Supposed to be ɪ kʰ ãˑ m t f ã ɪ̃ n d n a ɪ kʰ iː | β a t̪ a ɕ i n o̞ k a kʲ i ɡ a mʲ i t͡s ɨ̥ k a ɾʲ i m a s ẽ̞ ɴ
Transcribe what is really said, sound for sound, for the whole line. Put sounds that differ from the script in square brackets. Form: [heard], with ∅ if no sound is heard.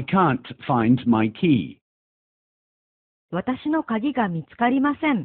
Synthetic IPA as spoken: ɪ kʰ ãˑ [n] t f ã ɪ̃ n d [m] a ɪ kʰ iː | β a t̪ a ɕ i n o̞ k a [ɡʲ] i ɡ a mʲ i t͡s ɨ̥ k a ɾʲ i m a s ẽ̞ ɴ